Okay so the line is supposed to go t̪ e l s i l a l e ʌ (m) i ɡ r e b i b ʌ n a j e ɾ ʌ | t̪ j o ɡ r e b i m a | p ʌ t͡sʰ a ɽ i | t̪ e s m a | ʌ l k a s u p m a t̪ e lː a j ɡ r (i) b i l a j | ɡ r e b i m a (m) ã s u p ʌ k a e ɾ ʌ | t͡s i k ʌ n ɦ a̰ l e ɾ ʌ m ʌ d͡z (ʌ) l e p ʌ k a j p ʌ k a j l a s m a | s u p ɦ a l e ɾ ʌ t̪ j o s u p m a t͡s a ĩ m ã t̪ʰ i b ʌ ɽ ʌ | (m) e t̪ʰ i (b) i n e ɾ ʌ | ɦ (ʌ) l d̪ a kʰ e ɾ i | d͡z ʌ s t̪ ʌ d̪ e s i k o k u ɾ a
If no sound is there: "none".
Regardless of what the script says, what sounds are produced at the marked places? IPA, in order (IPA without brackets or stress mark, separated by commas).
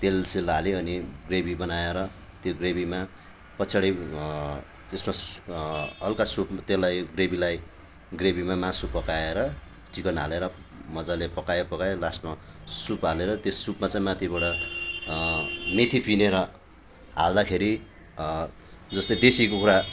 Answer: n, e, m, a, m, p, a